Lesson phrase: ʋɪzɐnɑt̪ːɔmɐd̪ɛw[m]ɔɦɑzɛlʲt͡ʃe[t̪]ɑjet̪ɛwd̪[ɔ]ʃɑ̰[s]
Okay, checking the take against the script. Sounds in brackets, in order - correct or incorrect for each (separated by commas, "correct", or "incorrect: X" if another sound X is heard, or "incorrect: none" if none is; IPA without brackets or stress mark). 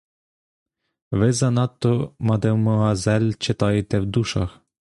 correct, correct, incorrect: u, incorrect: x